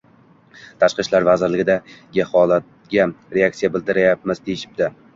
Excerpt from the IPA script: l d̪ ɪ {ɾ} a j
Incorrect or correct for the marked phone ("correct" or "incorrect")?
correct